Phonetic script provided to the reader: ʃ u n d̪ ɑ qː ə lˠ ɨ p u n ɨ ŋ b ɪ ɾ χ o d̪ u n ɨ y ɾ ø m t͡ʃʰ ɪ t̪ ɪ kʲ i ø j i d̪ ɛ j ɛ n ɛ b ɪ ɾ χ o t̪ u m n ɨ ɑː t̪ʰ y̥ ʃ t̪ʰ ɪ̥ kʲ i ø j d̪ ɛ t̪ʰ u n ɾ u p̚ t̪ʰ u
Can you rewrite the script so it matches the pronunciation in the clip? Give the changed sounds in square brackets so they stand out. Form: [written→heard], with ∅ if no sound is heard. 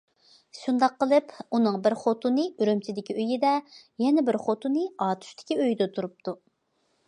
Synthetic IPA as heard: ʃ u n d̪ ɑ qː ə lˠ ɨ p u n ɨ ŋ b ɪ ɾ χ o [d̪→t̪] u n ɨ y ɾ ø m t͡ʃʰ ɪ [t̪→d̪] ɪ kʲ i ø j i d̪ ɛ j ɛ n ɛ b ɪ ɾ χ o t̪ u [m→∅] n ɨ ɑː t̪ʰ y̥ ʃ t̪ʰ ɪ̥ kʲ i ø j d̪ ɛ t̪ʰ u [n→∅] ɾ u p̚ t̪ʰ u

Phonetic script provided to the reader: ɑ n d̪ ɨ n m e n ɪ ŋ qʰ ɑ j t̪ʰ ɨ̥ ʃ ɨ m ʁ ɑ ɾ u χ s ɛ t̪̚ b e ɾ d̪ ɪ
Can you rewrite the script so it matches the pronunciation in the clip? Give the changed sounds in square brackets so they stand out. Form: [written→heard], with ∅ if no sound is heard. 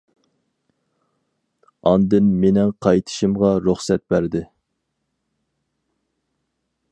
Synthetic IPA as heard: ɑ n d̪ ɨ n m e n ɪ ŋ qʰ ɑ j t̪ʰ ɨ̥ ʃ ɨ m ʁ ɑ ɾ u χ s ɛ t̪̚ b [e→æ] ɾ d̪ ɪ

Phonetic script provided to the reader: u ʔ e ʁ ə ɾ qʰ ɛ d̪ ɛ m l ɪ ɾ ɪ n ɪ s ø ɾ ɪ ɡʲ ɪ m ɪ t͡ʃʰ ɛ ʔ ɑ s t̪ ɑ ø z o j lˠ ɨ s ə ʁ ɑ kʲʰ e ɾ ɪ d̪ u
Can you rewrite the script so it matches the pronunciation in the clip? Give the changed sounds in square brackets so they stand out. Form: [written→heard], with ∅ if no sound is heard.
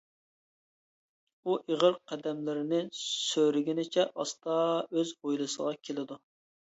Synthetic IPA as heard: u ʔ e ʁ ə ɾ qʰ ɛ d̪ ɛ m l ɪ ɾ ɪ n ɪ s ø ɾ ɪ ɡʲ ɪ [m→n] ɪ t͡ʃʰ ɛ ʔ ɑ s t̪ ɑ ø z o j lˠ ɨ s ə ʁ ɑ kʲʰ e [ɾ→l] ɪ d̪ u

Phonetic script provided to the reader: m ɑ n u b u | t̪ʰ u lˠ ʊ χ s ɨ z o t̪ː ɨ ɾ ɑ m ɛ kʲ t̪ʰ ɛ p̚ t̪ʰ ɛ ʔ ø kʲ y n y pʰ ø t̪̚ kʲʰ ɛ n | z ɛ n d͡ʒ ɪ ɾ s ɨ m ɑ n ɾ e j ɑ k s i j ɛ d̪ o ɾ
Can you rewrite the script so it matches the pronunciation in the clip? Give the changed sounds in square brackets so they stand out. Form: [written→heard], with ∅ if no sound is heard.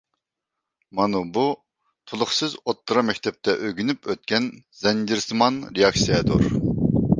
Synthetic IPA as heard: m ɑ n u b u | t̪ʰ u lˠ ʊ χ s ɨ z o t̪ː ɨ ɾ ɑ m ɛ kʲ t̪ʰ ɛ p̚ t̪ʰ ɛ ʔ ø [kʲ→ɡʲ] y n y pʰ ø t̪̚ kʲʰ ɛ n | z ɛ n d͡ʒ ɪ ɾ s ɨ m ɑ n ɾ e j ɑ k s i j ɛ d̪ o ɾ

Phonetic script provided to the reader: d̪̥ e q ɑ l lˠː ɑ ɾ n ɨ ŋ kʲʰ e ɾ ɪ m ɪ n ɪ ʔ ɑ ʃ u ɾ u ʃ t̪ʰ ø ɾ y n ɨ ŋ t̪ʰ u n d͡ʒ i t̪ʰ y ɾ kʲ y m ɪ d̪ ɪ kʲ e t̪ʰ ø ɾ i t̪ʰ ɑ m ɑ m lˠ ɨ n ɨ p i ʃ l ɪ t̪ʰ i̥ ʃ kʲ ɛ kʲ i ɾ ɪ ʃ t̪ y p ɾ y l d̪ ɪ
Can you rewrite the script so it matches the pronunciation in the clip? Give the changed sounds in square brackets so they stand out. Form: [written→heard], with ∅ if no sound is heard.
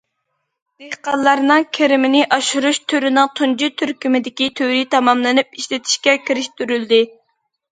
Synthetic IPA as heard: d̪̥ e q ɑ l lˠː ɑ ɾ n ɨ ŋ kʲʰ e ɾ ɪ m ɪ n ɪ ʔ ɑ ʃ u ɾ u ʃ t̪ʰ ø ɾ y n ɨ ŋ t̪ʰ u n d͡ʒ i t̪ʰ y ɾ kʲ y m ɪ d̪ ɪ kʲ [e→i] t̪ʰ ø ɾ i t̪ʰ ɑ m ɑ m lˠ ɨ n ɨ p i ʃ l ɪ t̪ʰ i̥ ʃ kʲ ɛ kʲ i ɾ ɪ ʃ t̪ y [p→∅] ɾ y l d̪ ɪ

